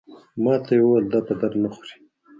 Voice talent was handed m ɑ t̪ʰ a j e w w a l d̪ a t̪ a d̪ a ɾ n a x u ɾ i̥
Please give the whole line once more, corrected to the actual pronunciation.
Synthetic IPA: m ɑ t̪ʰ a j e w w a l d̪ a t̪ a d̪ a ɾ n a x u ɾ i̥